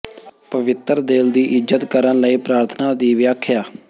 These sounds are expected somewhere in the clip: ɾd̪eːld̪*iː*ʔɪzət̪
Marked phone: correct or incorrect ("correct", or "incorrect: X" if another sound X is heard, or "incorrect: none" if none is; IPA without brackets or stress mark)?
correct